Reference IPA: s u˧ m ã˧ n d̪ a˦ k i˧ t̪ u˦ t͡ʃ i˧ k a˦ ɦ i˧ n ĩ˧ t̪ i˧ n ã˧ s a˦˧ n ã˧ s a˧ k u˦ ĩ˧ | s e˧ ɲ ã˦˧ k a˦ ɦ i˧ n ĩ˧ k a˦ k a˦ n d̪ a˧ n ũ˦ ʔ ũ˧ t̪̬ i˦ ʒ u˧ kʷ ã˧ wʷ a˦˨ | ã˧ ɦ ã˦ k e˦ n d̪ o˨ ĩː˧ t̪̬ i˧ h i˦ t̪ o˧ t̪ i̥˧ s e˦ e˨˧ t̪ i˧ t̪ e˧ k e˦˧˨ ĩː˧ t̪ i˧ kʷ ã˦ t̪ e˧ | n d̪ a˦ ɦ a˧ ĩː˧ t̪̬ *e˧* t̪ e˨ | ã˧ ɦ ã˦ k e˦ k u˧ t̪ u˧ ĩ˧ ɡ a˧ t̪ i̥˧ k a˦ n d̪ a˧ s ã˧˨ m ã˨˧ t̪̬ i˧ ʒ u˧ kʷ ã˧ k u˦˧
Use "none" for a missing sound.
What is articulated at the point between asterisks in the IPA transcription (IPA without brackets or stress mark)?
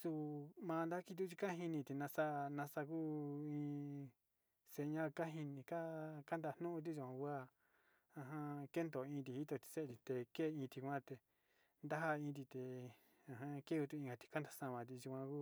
i˧